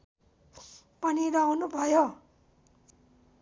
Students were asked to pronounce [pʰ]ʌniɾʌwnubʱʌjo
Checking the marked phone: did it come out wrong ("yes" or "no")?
yes